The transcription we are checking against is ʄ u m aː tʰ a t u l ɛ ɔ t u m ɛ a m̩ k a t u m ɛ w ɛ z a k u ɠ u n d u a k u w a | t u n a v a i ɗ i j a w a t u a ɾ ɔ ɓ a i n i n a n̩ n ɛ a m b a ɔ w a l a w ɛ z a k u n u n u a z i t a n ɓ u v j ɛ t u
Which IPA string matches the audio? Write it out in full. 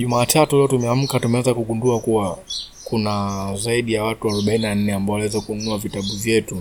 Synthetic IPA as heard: ʄ u m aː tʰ a t u l ɛ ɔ t u m ɛ a m̩ k a t u m ɛ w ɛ z a k u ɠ u n d u a k u w a | k u n a z a i ɗ i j a w a t u a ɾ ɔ ɓ a i n i n a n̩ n ɛ a m b a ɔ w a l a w ɛ z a k u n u n u a v i t a ɓ u v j ɛ t u